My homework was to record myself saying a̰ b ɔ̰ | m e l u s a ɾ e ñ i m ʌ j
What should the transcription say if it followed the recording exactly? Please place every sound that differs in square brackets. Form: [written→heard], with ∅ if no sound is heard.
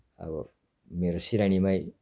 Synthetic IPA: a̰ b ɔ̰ | m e [l→ɾ] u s [a→i] ɾ [e→a] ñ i m [ʌ→a] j